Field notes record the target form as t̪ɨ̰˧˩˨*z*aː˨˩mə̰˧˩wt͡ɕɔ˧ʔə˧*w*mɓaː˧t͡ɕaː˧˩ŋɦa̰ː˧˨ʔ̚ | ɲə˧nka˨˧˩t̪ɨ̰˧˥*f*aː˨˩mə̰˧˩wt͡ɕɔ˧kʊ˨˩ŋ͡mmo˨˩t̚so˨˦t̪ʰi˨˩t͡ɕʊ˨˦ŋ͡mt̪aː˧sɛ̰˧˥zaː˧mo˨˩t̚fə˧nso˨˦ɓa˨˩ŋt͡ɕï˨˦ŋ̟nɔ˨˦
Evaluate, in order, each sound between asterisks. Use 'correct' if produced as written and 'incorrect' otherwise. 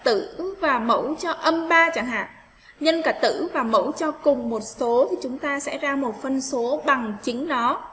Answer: incorrect, incorrect, incorrect

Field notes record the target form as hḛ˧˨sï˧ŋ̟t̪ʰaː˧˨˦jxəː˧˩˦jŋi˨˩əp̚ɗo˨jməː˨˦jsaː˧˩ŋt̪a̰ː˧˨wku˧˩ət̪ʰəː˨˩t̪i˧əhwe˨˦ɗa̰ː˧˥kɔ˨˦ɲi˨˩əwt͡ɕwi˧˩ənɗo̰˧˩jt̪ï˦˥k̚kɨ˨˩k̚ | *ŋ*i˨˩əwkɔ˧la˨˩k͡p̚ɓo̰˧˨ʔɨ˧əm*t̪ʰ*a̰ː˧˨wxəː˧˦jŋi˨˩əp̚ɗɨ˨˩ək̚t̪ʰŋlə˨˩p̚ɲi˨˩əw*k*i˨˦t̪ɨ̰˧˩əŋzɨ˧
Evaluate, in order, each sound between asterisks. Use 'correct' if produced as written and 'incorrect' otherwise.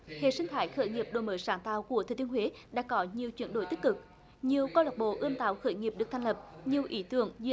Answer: incorrect, incorrect, incorrect

